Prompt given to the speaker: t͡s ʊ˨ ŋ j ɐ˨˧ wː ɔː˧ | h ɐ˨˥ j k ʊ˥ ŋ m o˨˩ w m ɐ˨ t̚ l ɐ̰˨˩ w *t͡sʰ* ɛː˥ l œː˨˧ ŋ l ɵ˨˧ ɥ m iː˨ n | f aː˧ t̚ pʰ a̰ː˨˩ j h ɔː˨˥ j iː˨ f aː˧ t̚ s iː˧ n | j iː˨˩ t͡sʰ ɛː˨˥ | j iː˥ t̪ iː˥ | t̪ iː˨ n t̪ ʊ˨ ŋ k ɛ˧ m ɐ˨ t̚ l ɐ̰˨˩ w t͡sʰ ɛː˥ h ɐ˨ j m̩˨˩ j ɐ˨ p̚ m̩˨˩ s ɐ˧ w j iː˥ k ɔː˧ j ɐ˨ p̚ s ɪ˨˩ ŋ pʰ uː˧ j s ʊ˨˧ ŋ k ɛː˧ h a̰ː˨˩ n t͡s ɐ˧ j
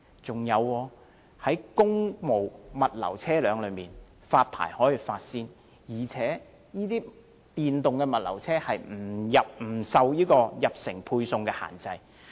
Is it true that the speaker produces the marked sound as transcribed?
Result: yes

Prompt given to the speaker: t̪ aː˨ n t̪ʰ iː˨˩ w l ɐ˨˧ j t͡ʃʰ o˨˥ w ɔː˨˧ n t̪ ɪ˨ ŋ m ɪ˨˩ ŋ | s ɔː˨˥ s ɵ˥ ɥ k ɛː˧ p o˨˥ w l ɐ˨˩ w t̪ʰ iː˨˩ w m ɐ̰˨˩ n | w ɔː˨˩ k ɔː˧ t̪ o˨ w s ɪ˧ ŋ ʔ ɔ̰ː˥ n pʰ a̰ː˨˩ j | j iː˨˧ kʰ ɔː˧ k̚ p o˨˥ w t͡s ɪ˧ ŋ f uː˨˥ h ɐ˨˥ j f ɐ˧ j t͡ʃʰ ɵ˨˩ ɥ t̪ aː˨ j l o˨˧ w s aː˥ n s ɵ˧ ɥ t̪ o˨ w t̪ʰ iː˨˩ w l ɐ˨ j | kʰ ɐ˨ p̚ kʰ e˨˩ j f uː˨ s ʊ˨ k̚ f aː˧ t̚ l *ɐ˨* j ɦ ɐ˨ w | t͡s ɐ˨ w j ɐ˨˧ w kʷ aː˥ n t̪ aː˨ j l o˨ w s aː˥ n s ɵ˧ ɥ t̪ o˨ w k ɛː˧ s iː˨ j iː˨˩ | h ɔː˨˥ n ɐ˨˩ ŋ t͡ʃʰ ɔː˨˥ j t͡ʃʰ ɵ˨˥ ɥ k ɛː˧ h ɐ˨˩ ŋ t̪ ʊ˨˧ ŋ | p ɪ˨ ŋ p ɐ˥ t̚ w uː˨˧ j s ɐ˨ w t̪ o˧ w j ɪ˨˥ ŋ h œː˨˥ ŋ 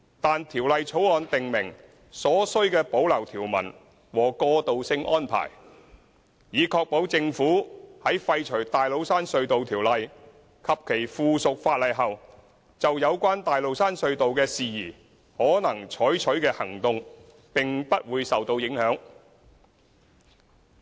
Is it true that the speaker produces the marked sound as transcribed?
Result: yes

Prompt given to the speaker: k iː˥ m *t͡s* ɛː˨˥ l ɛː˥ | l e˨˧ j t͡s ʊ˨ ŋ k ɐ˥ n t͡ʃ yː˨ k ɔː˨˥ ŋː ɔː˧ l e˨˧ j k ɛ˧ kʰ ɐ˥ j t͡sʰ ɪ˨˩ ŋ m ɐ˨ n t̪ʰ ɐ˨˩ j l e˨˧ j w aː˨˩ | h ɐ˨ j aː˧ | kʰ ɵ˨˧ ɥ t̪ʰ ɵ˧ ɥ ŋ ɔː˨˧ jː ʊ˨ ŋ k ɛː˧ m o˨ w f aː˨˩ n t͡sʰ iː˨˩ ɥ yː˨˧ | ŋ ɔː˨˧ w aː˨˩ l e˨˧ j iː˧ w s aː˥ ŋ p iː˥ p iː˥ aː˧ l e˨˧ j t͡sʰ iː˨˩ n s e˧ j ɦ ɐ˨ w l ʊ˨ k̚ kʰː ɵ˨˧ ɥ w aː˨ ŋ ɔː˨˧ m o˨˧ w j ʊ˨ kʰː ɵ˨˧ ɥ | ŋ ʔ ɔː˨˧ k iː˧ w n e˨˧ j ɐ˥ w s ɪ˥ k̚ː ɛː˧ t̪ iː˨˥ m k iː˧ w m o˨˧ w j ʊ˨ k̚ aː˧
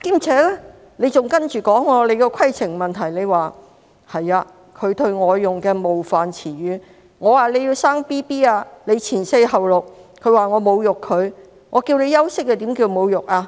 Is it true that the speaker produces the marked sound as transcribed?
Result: no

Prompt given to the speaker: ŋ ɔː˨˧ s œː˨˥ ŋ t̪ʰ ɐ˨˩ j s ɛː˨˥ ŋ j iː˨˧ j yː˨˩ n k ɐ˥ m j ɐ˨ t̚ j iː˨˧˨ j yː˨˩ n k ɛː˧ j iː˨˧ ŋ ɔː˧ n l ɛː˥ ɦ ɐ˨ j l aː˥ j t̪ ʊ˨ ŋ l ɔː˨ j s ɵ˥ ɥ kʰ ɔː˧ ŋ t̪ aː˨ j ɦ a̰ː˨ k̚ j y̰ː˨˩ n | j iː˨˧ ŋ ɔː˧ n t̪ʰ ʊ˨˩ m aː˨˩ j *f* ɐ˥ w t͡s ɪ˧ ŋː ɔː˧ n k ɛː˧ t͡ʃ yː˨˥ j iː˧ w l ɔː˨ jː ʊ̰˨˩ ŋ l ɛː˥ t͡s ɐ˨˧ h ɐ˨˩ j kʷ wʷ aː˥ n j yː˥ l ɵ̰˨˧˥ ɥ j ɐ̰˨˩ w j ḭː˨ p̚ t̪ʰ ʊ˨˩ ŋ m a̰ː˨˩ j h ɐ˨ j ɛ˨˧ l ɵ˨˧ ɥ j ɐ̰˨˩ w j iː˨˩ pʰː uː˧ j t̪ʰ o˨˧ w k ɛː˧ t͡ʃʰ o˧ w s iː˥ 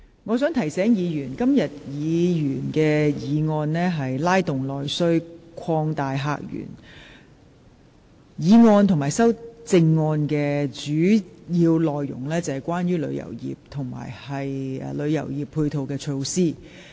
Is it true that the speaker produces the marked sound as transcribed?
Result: no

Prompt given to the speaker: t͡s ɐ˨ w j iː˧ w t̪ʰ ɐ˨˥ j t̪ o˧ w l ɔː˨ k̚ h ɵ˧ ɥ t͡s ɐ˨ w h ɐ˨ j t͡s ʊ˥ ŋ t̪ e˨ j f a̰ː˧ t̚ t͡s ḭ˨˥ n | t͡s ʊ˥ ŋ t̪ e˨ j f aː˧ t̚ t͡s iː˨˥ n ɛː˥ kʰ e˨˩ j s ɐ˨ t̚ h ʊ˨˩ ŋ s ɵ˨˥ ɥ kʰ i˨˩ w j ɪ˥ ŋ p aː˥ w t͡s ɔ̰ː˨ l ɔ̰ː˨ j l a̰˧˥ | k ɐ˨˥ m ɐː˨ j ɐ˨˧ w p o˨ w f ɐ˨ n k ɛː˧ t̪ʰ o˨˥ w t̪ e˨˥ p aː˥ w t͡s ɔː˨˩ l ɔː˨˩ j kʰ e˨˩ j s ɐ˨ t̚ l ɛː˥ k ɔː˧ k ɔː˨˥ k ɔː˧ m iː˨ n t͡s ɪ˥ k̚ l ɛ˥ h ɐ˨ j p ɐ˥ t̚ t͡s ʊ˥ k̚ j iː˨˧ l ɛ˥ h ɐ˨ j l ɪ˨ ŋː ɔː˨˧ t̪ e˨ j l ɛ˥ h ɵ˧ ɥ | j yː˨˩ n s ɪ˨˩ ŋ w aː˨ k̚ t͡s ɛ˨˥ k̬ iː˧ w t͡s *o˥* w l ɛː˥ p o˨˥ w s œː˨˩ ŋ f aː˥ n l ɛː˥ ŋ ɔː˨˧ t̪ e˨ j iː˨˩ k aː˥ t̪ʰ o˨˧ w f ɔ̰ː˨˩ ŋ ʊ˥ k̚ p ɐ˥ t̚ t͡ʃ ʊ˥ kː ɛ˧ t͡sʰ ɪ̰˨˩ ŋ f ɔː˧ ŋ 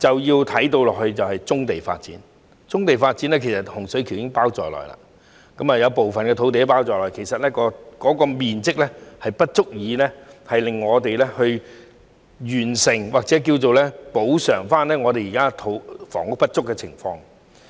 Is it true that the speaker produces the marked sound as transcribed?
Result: no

